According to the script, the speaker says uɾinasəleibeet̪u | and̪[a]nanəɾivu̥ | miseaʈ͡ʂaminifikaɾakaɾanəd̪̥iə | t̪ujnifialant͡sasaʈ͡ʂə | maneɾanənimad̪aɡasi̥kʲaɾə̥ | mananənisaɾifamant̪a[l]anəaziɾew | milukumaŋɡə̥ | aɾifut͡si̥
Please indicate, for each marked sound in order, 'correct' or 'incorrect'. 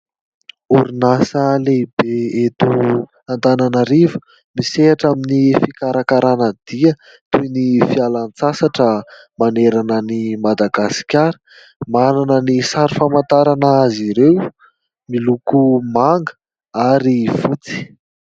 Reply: correct, incorrect: ɾ

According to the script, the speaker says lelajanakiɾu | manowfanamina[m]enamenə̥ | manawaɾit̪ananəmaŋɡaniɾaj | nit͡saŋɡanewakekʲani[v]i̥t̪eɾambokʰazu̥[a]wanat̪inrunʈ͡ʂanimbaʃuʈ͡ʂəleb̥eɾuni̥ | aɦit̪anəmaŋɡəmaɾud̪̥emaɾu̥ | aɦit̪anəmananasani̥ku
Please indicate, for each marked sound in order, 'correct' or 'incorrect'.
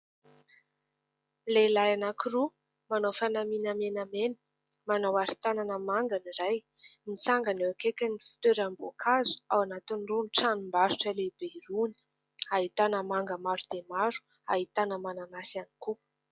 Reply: correct, incorrect: f, correct

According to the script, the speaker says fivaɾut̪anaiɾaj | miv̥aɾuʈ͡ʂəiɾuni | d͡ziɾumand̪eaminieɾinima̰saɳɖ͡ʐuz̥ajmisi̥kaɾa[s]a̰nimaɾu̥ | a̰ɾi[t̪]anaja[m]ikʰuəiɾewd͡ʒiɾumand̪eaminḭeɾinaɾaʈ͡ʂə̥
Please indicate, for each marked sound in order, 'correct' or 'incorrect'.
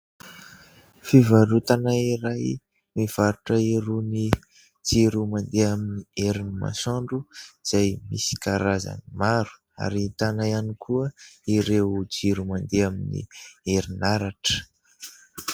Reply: incorrect: z, correct, incorrect: n

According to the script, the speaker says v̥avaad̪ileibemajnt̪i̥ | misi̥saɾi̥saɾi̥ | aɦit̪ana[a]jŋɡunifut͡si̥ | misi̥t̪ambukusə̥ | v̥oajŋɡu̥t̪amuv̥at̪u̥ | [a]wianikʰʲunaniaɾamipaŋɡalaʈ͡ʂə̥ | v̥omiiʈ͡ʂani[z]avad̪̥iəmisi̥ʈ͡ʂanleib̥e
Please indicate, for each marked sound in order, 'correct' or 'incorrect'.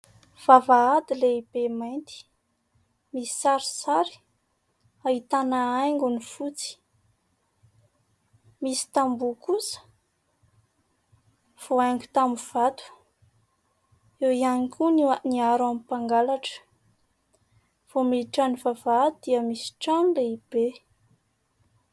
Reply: correct, incorrect: e, incorrect: v

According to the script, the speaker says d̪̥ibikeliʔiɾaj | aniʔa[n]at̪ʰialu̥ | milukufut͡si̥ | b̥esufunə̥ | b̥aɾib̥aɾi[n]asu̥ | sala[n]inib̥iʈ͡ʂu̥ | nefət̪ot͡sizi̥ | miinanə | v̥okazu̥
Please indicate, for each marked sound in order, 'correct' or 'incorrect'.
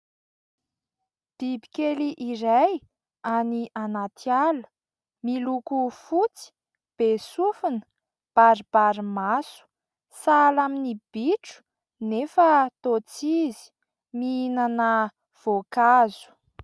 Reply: correct, incorrect: m, incorrect: m

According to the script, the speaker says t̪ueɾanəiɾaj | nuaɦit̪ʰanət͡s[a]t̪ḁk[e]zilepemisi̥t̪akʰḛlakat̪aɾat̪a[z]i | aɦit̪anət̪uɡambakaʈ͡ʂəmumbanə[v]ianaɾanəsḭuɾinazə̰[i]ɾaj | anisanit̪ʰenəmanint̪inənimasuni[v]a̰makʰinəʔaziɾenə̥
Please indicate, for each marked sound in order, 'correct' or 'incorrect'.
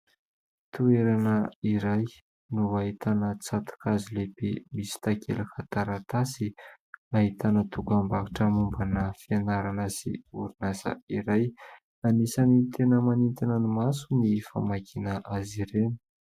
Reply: correct, incorrect: a, incorrect: s, incorrect: f, correct, incorrect: f

